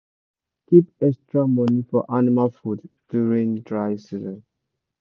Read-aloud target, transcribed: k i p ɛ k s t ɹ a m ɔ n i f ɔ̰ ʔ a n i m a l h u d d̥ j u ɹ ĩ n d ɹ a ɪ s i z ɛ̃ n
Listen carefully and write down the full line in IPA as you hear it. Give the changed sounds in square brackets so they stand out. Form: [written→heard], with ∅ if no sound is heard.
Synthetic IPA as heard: k i p ɛ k s t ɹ a m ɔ n i f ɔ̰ ʔ a n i m a l [h→f] u d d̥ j u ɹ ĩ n d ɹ a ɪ s i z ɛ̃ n